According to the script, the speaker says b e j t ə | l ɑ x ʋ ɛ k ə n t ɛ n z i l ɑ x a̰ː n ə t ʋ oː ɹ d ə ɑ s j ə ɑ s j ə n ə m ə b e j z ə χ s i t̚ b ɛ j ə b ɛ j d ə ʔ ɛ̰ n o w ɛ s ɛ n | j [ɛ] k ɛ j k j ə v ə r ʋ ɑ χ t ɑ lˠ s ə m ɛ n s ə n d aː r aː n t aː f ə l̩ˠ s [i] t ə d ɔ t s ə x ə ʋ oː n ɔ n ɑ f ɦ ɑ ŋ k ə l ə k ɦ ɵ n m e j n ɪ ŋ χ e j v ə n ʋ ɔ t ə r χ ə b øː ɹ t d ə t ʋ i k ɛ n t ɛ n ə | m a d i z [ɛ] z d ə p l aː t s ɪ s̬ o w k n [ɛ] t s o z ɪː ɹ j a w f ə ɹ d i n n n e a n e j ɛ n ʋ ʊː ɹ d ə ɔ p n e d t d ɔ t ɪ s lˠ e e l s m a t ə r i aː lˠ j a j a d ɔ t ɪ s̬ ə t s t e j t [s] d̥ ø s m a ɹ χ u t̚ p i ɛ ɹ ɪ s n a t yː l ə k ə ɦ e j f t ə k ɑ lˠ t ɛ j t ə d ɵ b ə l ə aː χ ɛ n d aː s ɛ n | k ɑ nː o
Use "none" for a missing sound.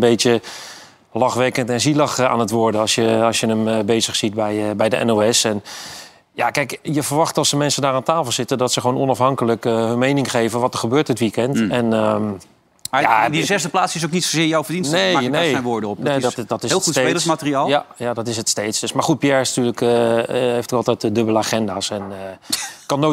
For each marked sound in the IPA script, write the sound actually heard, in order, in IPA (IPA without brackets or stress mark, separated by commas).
a, ɪ, ɛ, i, s